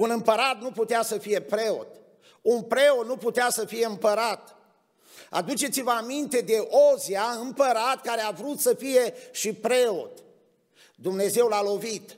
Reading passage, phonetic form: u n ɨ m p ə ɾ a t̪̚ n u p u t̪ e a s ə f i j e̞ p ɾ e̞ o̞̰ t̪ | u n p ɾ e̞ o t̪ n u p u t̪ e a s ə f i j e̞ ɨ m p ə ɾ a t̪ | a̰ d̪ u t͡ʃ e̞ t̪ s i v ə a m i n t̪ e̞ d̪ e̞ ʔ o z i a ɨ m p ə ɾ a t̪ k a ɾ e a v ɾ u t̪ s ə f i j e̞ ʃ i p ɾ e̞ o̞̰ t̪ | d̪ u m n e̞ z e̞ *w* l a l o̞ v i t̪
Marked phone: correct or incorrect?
correct